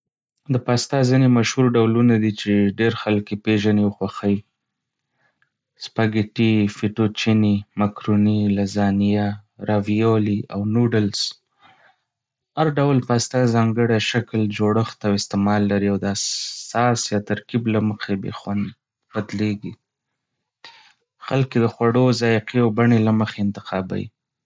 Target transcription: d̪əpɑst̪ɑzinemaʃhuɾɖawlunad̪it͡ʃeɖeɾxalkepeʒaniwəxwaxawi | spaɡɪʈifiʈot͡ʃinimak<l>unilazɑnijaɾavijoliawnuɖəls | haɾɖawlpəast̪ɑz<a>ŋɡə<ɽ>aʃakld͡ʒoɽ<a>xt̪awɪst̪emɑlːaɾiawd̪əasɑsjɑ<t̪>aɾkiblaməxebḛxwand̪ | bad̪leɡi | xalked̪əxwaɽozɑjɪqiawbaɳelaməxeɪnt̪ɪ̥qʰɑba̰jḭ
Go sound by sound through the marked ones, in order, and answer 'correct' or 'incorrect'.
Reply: incorrect: ɾ, incorrect: ɑ, correct, incorrect: ə, correct

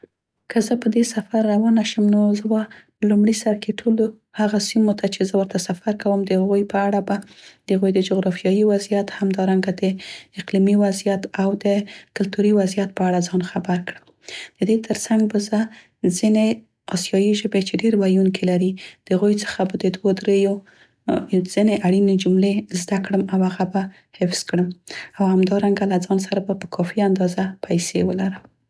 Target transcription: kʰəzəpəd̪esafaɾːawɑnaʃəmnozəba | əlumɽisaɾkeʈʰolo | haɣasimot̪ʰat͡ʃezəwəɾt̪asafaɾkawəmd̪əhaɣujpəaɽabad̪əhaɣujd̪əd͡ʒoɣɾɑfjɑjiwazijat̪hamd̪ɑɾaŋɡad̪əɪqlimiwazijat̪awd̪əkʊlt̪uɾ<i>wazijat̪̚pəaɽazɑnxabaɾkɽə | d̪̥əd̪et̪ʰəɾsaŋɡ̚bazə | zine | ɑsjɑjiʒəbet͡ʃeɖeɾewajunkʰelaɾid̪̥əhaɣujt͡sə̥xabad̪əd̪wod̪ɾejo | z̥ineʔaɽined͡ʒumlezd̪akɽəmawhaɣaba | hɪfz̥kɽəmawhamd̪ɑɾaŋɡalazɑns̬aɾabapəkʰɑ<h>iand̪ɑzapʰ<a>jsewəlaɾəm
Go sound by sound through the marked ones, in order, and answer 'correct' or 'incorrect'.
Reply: correct, incorrect: f, correct

